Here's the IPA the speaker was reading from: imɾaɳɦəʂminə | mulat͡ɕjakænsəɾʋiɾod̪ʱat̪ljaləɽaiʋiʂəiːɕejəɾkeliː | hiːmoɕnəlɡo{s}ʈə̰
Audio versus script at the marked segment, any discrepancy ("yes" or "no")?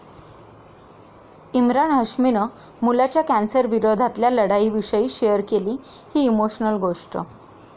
yes